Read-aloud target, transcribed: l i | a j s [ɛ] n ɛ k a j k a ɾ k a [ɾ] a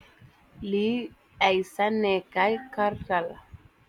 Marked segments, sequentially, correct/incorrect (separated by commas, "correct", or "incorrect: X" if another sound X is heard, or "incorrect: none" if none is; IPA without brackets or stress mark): incorrect: a, incorrect: l